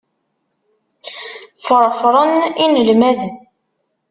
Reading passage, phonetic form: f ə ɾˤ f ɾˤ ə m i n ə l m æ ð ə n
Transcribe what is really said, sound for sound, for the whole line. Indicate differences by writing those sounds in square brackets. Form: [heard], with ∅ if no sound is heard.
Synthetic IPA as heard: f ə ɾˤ f ɾˤ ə [n] i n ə l m æ ð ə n